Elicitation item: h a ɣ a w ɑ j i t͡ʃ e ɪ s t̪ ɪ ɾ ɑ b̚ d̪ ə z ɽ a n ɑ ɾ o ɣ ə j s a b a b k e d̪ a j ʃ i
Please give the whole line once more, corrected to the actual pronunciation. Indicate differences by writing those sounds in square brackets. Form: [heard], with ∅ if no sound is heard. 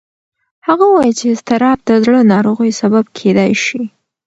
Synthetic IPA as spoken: h a ɣ a w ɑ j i t͡ʃ e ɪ s t̪ ɪ ɾ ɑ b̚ d̪ ə z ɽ [ə] n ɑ ɾ o ɣ ə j s a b a b [kʰ] e d̪ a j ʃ i